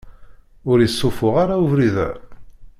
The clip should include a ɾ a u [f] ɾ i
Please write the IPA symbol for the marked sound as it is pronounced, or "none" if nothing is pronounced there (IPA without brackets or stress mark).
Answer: v